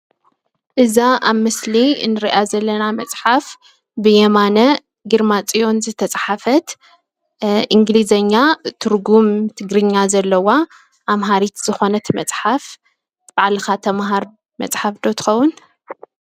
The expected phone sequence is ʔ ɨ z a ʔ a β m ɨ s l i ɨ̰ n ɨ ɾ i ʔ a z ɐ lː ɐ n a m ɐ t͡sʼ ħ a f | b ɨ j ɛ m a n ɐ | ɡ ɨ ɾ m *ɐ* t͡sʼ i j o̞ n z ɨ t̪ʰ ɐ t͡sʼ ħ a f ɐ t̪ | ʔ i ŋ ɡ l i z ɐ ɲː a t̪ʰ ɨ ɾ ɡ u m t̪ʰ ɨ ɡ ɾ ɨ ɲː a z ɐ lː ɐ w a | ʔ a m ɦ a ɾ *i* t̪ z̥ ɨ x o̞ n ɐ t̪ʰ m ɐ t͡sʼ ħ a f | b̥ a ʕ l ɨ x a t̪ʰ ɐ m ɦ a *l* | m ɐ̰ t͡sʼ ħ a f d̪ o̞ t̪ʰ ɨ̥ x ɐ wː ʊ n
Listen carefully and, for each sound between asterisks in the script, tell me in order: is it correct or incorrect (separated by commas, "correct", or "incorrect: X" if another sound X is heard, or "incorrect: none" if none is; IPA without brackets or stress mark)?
incorrect: a, correct, incorrect: ɾ